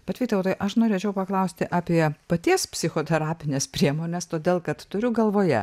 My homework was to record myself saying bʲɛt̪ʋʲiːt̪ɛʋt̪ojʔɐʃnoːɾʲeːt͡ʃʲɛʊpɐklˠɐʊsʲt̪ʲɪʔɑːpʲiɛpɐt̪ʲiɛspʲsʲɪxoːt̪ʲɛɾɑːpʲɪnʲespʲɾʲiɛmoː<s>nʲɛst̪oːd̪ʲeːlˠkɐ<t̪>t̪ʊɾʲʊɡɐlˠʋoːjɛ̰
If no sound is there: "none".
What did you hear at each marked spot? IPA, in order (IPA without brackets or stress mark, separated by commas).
none, t̪